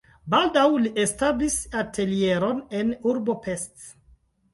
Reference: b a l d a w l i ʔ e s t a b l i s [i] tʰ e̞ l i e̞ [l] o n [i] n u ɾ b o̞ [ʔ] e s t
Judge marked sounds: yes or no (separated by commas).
no, no, no, no